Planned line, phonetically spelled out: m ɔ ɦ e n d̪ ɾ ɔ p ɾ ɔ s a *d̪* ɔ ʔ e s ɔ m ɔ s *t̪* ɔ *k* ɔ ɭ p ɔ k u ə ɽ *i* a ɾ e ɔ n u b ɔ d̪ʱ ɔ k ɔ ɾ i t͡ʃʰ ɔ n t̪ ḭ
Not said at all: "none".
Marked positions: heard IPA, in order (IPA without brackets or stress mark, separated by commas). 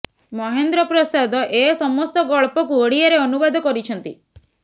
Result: d̪, t̪, ɡ, i